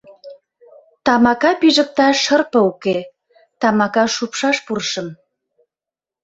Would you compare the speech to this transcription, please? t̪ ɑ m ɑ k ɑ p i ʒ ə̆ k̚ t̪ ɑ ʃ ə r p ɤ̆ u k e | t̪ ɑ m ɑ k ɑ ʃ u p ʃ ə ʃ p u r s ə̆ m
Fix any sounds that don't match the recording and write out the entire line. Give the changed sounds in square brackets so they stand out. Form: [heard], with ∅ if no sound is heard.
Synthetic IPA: t̪ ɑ m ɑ k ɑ p i ʒ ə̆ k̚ t̪ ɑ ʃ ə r p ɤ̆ u k e | t̪ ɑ m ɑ k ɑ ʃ u p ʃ [ɑ] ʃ p u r [ʃ] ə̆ m